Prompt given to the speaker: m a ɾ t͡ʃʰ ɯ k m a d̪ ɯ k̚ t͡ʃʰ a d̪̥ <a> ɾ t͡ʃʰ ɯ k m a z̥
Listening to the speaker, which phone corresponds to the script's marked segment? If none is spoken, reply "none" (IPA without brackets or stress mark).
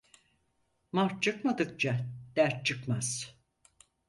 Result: æ